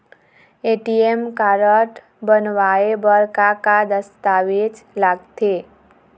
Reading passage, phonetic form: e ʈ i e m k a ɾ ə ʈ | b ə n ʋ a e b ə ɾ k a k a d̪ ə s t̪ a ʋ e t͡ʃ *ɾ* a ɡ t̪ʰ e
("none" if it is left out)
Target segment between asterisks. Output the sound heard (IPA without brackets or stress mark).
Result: l